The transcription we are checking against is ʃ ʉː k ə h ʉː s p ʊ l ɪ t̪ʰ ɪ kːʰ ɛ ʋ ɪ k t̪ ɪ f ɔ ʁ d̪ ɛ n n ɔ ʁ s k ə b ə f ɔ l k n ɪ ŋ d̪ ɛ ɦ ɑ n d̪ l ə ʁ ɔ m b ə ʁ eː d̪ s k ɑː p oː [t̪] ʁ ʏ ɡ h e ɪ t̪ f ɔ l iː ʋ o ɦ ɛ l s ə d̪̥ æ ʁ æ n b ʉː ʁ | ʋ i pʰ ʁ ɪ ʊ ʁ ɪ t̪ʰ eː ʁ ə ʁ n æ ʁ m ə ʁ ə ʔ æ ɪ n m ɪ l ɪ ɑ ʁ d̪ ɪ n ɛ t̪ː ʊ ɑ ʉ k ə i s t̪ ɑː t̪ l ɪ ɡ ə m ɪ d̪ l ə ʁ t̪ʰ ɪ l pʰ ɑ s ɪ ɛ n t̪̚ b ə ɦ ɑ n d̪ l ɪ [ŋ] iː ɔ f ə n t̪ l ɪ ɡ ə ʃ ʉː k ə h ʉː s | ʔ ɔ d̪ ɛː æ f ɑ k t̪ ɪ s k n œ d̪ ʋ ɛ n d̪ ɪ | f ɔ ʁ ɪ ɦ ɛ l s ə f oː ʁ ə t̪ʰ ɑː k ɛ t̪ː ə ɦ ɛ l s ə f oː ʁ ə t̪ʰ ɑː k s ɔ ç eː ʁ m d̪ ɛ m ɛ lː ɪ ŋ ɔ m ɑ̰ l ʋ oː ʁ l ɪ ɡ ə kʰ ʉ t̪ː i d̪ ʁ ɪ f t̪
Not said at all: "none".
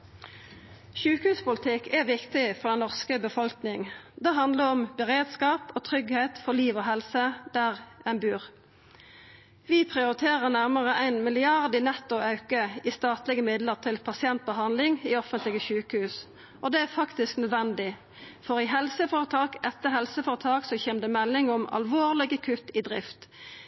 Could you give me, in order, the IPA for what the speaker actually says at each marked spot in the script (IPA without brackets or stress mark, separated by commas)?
t̪ʰ, ŋ